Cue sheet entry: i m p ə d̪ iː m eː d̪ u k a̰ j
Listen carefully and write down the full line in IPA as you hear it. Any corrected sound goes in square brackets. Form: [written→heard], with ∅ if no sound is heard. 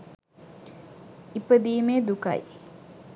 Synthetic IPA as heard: i [m→∅] p ə d̪ iː m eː d̪ u k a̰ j